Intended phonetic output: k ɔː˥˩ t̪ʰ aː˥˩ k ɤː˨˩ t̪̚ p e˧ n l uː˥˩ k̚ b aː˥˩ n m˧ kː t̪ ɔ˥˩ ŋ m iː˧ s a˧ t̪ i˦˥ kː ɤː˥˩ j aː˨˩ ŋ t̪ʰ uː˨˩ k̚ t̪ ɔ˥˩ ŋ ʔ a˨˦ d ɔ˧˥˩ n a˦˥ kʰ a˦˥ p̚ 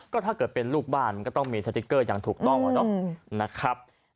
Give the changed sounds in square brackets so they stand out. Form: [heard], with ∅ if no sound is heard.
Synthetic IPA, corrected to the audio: k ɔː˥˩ t̪ʰ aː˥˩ k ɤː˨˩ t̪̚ p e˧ n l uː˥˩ k̚ b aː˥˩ n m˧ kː t̪ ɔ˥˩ ŋ m iː˧ s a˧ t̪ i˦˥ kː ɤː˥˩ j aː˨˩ ŋ t̪ʰ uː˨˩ k̚ t̪ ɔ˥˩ ŋ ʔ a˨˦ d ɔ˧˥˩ n a˦˥ kʰ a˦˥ p̚